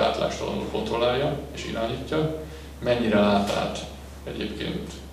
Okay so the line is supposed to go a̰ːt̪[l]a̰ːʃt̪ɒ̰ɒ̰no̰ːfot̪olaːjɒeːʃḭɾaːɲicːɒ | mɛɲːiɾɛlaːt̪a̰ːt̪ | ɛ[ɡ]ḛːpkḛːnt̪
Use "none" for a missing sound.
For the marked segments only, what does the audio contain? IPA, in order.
l, ɟ

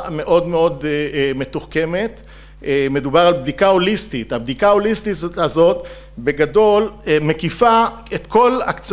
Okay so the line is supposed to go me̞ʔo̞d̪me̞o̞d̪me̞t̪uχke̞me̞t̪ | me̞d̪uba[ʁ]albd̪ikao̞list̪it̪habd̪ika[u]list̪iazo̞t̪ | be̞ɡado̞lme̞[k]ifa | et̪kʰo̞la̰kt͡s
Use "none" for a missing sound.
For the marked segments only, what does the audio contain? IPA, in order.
ʁ, o, k

